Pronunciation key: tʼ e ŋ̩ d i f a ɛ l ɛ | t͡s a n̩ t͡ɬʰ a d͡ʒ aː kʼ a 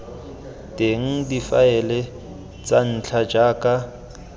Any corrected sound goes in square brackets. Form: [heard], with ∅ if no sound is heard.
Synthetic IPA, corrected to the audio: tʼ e ŋ̩ d i f a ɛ l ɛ | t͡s a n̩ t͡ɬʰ a d͡ʒ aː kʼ a